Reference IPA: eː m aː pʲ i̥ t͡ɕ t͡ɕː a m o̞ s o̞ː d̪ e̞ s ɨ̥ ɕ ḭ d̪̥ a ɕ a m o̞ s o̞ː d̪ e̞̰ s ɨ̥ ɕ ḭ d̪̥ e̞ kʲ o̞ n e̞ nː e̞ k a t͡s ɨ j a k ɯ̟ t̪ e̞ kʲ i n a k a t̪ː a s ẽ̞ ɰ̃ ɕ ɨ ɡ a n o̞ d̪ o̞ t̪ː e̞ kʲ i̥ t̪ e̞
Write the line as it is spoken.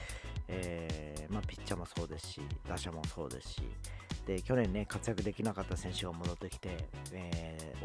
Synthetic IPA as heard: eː m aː pʲ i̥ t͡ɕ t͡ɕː a m o̞ s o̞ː d̪ e̞ s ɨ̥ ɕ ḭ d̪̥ a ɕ a m o̞ s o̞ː d̪ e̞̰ s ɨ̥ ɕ ḭ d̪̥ e̞ kʲ o̞ n ẽ̞ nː e̞ k a t͡s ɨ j a k ɯ̟ d̪ e̞ kʲ i n a k a t̪ː a s ẽ̞ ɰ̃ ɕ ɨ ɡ a m o̞ d̪ o̞ t̪ː e̞ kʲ i̥ t̪ e̞